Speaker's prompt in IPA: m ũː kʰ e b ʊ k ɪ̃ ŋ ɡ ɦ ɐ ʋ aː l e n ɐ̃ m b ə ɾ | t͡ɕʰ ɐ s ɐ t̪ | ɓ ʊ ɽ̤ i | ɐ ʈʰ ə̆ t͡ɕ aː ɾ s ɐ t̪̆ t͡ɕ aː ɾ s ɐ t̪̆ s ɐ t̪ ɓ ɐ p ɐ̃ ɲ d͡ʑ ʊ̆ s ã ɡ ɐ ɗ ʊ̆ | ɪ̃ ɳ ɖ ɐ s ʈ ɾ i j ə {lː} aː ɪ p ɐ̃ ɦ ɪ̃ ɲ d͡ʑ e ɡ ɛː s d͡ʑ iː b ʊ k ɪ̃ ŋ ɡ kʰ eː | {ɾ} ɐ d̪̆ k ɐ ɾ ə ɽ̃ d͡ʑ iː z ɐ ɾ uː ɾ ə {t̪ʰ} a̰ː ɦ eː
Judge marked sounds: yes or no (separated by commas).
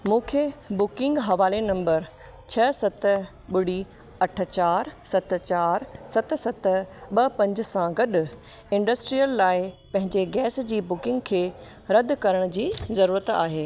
yes, yes, no